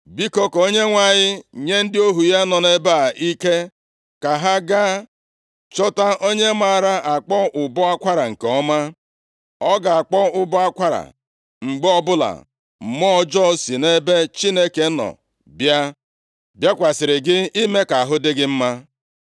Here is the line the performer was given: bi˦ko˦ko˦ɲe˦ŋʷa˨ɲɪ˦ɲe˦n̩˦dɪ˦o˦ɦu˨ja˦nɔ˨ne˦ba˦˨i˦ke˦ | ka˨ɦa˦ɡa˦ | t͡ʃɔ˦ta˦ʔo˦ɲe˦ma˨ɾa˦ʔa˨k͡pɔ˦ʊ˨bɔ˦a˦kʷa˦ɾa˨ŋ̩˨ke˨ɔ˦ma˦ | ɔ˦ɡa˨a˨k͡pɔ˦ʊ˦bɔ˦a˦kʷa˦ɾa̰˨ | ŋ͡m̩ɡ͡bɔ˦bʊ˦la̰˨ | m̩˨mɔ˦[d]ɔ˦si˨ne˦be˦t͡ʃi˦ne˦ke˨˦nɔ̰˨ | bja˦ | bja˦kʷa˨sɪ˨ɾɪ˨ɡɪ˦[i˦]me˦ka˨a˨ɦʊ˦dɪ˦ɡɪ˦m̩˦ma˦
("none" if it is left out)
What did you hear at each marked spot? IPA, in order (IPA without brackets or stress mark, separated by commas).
d͡ʒ, i˦